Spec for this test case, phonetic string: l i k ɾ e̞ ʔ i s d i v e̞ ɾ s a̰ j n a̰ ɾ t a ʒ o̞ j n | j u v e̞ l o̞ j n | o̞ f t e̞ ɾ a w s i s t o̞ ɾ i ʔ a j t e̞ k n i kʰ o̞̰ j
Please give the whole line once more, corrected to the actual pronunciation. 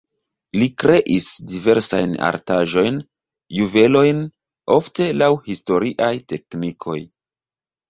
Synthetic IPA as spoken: l i k ɾ e̞ ʔ i s d i v e̞ ɾ s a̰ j n a̰ ɾ t a ʒ o̞ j n | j u v e̞ l o̞ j n | o̞ f t e̞ l a w h i s t o̞ ɾ i ʔ a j t e̞ k n i kʰ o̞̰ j

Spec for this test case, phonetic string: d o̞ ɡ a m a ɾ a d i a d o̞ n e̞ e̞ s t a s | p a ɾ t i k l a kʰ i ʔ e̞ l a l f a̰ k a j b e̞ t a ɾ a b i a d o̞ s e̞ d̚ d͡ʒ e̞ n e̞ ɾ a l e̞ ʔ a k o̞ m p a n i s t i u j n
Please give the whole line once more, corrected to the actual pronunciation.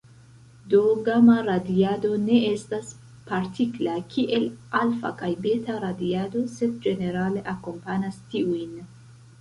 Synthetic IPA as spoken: d o̞ ɡ a m a ɾ a d i a d o̞ n e̞ e̞ s t a s | p a ɾ t i k l a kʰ i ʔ e̞ l a l f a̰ k a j b e̞ t a ɾ a d i a d o̞ s e̞ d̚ d͡ʒ e̞ n e̞ ɾ a l e̞ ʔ a k o̞ m p a n a s t i u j n

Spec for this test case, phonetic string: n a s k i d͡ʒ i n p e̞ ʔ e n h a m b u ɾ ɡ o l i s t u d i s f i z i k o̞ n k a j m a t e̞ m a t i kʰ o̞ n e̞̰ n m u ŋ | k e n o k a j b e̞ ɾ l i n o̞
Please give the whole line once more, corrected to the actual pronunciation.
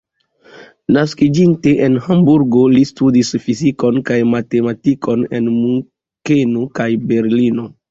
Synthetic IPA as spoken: n a s k i d͡ʒ i n t e̞ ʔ e n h a m b u ɾ ɡ o l i s t u d i s f i z i k o̞ n k a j m a t e̞ m a t i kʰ o̞ n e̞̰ n m u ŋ | k e n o k a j b e̞ ɾ l i n o̞

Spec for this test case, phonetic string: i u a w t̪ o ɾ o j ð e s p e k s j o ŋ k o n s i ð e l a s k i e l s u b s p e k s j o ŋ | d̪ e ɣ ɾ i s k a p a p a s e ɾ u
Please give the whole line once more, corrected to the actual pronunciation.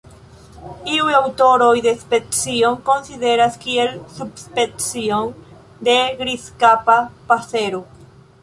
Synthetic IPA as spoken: i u a w t̪ o ɾ o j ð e s p e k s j o ŋ k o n s i ð e ɾ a s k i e l s u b s p e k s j o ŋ | d̪ e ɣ ɾ i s k a p a p a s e ɾ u

